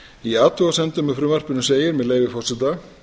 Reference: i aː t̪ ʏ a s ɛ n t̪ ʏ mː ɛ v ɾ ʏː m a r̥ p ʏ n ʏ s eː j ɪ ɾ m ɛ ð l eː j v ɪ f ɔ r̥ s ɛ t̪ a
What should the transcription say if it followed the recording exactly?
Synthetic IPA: i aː t̪ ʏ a s ɛ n t̪ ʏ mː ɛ f ɾ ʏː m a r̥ p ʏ n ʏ s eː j ɪ ɾ m ɛ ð l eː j v ɪ f ɔ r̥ s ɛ t̪ a